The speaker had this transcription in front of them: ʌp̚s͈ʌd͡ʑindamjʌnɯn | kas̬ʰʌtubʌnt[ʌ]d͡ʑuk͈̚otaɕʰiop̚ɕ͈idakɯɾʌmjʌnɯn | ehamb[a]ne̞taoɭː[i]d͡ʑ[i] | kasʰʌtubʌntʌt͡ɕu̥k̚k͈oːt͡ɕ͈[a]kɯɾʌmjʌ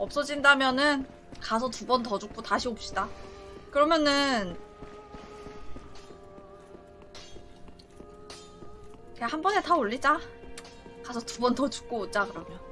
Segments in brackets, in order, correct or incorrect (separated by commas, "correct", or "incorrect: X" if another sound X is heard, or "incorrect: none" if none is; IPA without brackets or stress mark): correct, incorrect: ʌ, correct, incorrect: a, correct